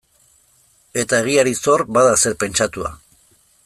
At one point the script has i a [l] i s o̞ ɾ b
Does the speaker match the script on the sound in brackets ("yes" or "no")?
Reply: no